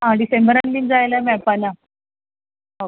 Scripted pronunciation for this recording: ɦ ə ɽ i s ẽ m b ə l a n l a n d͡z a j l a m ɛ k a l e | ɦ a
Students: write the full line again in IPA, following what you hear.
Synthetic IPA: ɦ a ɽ i s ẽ m b ə ɾ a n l i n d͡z a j l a m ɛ p a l a | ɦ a